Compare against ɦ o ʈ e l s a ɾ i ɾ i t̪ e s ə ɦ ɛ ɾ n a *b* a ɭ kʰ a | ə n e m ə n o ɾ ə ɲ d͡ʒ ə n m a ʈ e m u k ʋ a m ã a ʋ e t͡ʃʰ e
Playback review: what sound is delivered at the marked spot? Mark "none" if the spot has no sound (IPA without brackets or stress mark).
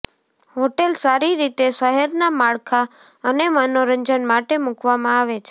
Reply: m